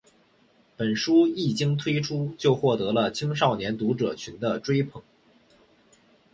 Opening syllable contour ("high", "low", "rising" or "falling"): low